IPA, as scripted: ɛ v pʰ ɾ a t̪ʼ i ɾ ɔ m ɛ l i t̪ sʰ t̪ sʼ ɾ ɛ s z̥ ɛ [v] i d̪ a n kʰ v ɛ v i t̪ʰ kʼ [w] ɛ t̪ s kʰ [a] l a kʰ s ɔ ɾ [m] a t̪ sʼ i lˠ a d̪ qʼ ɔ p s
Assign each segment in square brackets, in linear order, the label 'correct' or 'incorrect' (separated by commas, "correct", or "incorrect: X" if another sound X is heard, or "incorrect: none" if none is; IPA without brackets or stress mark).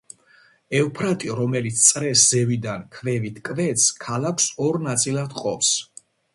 correct, incorrect: v, correct, incorrect: n